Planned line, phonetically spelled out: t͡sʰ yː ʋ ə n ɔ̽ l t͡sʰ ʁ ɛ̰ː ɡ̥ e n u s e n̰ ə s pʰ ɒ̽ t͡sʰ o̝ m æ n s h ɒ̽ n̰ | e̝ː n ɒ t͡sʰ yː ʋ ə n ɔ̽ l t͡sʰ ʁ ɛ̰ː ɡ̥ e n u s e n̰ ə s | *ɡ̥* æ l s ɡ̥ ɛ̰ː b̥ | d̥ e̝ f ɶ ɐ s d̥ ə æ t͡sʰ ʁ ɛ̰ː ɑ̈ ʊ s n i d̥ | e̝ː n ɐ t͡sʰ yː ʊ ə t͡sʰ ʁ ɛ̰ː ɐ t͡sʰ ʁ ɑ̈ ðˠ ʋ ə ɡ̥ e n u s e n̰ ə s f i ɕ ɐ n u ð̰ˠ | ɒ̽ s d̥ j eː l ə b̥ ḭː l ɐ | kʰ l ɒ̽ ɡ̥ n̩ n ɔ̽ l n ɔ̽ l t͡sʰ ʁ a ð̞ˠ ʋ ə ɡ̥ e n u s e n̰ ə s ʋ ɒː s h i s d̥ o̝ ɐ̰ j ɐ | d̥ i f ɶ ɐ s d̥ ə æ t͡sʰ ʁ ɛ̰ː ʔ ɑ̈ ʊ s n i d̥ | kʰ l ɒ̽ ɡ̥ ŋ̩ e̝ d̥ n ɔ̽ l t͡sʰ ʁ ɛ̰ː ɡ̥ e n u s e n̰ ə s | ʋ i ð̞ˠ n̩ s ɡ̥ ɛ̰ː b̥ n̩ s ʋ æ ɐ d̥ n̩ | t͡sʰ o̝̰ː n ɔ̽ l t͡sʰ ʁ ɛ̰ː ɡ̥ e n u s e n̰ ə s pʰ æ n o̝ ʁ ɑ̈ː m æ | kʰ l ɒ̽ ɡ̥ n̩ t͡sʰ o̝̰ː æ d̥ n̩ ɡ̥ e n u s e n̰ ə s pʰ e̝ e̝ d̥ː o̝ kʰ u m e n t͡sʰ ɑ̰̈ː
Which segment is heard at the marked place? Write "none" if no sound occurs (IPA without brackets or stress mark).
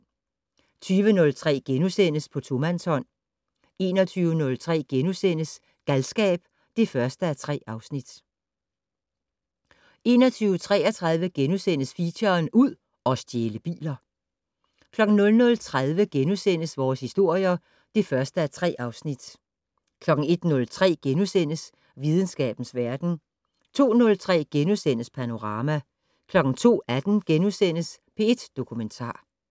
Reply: ɡ̥